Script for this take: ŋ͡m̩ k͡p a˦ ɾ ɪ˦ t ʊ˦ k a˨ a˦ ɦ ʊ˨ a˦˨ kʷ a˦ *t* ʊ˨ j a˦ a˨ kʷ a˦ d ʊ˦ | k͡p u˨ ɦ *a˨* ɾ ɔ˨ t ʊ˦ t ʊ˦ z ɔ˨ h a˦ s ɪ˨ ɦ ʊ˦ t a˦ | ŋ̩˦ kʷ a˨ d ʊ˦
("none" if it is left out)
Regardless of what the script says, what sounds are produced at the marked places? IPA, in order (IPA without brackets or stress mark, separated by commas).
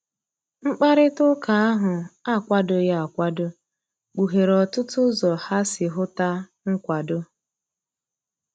d, e˨